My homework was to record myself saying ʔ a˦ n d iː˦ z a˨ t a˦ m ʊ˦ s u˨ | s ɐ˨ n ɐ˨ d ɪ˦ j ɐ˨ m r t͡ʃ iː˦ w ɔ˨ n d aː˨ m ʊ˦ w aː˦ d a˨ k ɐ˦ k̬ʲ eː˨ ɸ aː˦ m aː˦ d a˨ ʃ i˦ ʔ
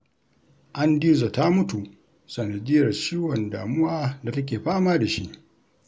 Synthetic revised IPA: ʔ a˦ n d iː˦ z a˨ t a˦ m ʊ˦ t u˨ | s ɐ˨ n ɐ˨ d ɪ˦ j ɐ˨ r t͡ʃ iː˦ w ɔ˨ n d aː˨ m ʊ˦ w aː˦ d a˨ t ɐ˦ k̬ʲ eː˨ ɸ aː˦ m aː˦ d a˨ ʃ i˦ ʔ